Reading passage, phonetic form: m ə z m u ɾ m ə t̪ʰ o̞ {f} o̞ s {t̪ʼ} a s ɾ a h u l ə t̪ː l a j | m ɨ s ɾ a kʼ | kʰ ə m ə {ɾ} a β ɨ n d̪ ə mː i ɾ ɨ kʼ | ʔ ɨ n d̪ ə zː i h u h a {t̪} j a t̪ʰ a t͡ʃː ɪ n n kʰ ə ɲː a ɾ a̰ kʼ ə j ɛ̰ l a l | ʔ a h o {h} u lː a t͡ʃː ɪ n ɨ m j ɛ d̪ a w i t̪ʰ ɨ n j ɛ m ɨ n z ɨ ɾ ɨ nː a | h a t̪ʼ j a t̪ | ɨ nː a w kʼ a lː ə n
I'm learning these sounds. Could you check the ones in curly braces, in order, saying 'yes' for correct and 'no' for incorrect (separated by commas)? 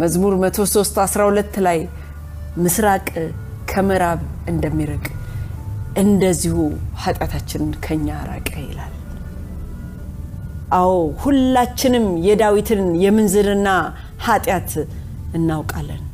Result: no, no, yes, no, yes